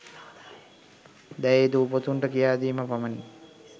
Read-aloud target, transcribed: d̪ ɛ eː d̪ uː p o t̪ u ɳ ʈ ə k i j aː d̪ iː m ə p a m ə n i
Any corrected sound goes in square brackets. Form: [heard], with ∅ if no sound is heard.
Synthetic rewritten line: d̪ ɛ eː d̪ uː p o t̪ u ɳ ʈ ə k i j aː d̪ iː m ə p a m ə n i